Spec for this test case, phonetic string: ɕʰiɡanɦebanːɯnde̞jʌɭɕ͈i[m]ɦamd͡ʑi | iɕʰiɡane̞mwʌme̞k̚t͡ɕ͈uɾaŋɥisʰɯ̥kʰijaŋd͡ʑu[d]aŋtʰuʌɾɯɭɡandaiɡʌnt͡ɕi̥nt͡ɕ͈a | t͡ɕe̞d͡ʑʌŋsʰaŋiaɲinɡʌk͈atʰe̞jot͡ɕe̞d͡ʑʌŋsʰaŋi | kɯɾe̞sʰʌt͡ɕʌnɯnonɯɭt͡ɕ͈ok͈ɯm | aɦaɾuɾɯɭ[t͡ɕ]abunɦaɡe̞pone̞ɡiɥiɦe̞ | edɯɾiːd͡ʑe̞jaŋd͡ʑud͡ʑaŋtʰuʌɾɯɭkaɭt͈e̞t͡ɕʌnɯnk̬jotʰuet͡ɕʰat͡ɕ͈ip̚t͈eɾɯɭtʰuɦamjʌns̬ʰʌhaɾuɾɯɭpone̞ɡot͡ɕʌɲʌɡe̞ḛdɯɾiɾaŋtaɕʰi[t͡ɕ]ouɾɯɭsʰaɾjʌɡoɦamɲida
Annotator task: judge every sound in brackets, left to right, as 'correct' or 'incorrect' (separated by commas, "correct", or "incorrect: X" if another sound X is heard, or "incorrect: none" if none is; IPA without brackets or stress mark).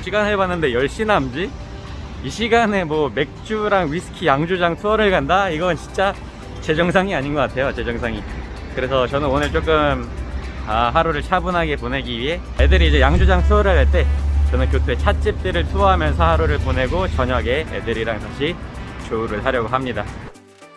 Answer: incorrect: n, incorrect: d͡ʑ, incorrect: t͡ɕʰ, correct